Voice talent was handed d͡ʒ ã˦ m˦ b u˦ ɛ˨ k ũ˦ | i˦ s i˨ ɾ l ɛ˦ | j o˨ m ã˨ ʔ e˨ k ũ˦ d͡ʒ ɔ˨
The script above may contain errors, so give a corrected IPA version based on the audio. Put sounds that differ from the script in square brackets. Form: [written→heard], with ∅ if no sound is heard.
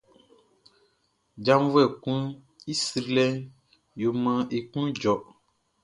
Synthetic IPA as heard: d͡ʒ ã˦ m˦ [b→v] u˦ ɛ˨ k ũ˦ | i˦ s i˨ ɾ l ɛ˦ | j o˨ m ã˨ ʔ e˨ k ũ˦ d͡ʒ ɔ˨